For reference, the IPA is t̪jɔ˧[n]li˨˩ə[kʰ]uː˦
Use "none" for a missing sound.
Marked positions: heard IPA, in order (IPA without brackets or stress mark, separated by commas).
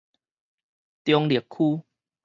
ŋ, kʰ